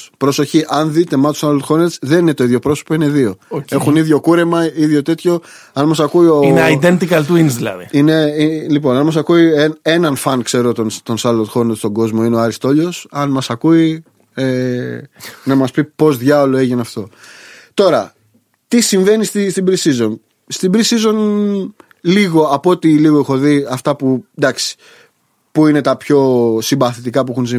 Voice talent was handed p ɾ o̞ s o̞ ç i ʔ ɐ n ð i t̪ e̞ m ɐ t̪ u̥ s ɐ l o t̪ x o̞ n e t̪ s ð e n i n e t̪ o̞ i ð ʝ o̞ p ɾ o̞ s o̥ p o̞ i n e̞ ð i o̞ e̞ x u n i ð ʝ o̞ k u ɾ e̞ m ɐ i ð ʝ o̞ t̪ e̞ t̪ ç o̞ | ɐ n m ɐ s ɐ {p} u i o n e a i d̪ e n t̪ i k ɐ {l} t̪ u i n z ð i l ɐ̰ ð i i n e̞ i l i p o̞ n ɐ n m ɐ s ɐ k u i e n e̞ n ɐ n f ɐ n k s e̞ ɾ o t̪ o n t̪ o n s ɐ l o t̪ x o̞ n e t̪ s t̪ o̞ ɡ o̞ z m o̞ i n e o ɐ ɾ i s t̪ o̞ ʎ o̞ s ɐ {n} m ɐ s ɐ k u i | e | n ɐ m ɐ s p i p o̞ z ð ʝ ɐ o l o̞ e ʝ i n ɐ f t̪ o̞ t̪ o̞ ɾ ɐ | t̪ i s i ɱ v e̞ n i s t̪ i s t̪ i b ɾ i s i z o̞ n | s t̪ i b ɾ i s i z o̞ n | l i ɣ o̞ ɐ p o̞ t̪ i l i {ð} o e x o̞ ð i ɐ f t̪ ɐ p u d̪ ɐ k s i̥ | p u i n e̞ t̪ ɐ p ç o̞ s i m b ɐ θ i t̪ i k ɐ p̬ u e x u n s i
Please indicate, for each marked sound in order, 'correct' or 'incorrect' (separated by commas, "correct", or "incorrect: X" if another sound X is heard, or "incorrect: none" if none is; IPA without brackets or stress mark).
incorrect: k, correct, correct, incorrect: ɣ